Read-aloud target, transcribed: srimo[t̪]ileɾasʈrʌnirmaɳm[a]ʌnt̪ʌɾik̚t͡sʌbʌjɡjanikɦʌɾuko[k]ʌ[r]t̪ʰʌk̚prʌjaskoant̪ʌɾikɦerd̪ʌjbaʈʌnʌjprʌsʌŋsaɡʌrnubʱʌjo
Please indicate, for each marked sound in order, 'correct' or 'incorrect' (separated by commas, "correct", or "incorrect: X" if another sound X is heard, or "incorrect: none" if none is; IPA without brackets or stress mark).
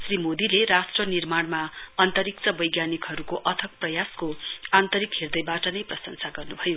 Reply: incorrect: d̪, correct, incorrect: ʔ, incorrect: none